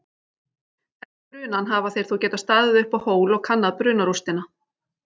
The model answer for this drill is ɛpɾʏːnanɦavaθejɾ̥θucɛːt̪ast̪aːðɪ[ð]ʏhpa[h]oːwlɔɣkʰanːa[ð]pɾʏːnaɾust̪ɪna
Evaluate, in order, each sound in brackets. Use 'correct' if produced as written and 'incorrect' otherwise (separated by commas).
correct, correct, correct